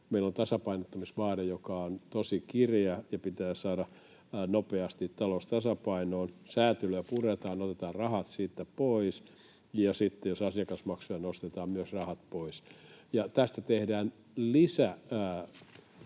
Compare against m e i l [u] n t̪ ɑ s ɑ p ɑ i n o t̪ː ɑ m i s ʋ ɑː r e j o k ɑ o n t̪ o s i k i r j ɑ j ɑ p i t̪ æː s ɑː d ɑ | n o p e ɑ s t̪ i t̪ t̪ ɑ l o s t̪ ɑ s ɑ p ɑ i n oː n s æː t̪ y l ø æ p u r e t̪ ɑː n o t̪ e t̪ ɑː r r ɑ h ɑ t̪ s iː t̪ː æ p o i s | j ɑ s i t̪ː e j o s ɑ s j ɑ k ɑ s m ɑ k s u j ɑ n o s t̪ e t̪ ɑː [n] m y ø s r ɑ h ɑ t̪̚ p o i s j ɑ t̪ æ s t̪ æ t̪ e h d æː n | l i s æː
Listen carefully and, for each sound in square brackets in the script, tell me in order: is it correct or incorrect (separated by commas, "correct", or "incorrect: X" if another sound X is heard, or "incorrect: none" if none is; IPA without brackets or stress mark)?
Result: incorrect: o, incorrect: m